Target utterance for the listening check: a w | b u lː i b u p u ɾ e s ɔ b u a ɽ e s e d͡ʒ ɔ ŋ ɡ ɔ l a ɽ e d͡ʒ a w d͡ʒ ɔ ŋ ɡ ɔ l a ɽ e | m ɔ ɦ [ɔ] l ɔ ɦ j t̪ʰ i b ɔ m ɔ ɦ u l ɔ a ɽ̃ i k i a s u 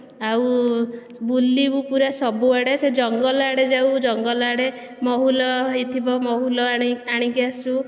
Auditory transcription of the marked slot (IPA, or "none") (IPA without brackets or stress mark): u